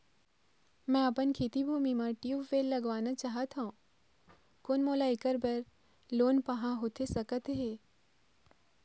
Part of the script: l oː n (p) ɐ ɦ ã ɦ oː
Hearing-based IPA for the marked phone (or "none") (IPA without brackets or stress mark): p